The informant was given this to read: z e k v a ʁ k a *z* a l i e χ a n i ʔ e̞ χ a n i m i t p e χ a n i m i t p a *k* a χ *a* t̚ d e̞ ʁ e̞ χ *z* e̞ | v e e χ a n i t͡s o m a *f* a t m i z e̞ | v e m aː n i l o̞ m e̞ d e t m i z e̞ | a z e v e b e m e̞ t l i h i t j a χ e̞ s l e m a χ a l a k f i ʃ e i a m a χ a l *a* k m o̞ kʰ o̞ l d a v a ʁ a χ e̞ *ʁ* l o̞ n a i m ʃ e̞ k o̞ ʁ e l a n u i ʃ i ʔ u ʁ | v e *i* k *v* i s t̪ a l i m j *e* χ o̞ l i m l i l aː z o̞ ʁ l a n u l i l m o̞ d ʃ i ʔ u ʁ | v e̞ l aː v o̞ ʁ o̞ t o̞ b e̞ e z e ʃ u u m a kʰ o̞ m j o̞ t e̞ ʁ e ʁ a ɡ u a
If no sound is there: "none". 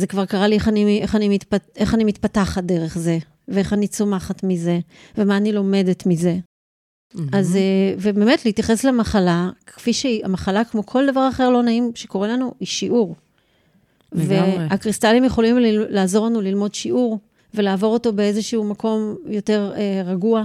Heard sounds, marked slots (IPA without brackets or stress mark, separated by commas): ʁ, t, a, z, χ, a, ʁ, a, ʁ, e